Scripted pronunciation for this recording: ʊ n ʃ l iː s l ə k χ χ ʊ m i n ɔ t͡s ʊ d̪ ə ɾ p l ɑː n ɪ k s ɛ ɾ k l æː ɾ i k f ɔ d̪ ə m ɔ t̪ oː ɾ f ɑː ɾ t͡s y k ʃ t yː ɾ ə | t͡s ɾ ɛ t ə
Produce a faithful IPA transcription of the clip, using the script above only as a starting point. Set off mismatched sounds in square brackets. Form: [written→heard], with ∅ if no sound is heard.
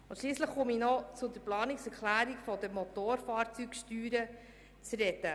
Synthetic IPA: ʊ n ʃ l iː s l ə [k→∅] χ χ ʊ m i n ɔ t͡s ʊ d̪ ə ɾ p l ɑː n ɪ k s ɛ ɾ k l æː ɾ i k f ɔ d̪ ə m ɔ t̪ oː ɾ f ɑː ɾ t͡s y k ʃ t yː ɾ ə | t͡s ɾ ɛ t ə